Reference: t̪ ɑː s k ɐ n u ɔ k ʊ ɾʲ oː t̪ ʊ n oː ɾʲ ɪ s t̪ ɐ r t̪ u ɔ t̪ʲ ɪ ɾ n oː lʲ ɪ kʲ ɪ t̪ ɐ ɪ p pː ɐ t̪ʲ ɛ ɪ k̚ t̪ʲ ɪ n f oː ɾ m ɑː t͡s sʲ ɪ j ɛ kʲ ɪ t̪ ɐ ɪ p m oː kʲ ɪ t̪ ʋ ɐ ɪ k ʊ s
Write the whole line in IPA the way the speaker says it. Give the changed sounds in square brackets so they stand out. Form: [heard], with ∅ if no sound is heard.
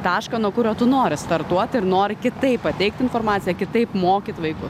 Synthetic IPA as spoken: t̪ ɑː [ʃ] k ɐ n u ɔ k ʊ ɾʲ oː t̪ ʊ n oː ɾʲ ɪ s t̪ ɐ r t̪ u ɔ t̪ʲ ɪ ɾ n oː [ɾʲ] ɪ kʲ ɪ t̪ ɐ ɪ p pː ɐ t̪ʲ ɛ ɪ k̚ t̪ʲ ɪ n f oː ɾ m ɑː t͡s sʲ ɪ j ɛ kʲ ɪ t̪ ɐ ɪ p m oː kʲ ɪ t̪ ʋ ɐ ɪ k ʊ s